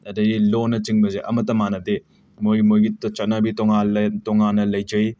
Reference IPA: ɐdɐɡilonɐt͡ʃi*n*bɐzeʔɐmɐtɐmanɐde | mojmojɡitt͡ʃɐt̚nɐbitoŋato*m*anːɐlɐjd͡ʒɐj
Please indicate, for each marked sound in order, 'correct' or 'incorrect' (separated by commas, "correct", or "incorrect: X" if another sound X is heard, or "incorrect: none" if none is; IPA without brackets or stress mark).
incorrect: ŋ, incorrect: ŋ